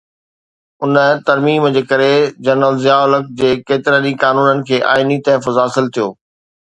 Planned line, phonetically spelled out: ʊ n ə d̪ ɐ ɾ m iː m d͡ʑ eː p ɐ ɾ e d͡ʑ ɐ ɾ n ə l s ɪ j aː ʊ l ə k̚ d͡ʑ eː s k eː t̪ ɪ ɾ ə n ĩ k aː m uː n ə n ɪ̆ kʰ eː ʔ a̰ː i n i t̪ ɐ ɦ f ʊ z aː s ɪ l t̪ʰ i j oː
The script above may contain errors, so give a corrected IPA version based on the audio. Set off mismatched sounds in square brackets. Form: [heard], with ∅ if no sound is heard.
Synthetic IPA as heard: ʊ n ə [t̪] ɐ ɾ m iː m d͡ʑ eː [k] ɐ ɾ e d͡ʑ ɐ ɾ n ə l [z] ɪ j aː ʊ l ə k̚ d͡ʑ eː [∅] k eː t̪ ɪ ɾ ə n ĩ k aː [n] uː n ə n ɪ̆ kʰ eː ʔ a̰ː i n i t̪ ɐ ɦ f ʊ z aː s ɪ l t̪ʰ i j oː